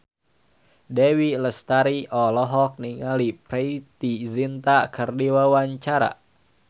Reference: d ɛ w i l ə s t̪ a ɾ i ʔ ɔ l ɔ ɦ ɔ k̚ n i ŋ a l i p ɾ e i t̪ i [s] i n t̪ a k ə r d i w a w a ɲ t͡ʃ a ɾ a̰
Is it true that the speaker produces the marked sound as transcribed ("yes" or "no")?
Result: no